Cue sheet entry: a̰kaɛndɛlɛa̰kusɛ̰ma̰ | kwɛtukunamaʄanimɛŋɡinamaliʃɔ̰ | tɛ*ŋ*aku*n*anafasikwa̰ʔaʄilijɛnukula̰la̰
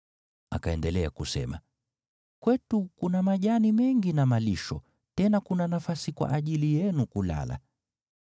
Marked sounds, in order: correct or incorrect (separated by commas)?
incorrect, correct